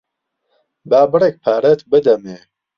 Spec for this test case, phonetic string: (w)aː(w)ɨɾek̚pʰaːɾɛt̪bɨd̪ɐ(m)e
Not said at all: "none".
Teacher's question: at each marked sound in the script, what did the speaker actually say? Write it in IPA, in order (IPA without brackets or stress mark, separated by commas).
b, b, m